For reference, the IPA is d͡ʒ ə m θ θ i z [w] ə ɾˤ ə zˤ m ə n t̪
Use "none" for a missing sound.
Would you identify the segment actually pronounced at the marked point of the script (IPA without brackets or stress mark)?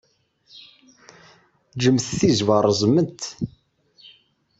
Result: v